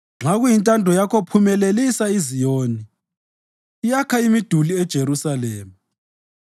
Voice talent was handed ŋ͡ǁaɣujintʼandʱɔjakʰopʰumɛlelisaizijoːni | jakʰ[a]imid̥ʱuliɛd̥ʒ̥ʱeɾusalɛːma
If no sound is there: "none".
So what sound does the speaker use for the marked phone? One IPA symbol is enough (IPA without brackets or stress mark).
a